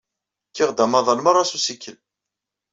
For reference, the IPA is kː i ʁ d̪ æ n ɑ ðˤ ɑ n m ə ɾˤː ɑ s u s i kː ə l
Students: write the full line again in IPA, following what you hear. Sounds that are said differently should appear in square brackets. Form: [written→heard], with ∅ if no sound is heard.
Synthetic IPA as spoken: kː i ʁ d̪ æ [n→m] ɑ ðˤ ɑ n m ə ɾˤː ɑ s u s i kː ə l